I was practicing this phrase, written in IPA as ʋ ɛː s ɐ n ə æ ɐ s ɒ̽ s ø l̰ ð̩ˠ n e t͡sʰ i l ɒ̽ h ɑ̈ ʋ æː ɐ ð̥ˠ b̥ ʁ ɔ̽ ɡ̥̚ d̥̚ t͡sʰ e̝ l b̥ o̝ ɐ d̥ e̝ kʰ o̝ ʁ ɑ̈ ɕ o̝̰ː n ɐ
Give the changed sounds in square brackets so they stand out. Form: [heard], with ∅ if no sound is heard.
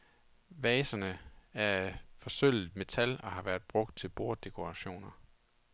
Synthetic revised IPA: ʋ ɛː s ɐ n ə æ ɐ [f] ɒ̽ s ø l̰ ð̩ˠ [m] e t͡sʰ [æ] l ɒ̽ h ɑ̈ ʋ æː ɐ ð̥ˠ b̥ ʁ ɔ̽ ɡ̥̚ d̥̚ t͡sʰ e̝ l b̥ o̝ ɐ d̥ e̝ kʰ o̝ ʁ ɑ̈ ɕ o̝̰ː n ɐ